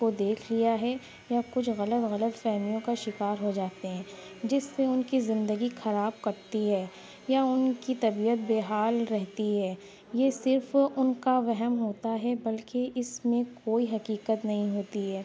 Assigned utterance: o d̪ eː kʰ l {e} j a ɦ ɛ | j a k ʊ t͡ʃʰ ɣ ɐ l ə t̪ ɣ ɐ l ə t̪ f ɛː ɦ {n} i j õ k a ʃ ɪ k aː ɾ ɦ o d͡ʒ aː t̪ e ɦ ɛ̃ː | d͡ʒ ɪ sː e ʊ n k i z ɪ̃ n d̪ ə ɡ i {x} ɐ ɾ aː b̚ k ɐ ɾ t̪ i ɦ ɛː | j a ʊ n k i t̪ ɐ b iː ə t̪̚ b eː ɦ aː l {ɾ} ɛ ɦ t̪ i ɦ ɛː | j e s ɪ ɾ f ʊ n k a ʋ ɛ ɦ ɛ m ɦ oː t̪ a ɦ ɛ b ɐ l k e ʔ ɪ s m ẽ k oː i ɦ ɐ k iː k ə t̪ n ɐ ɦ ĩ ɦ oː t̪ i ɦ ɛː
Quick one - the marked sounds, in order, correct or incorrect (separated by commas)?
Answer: incorrect, incorrect, correct, correct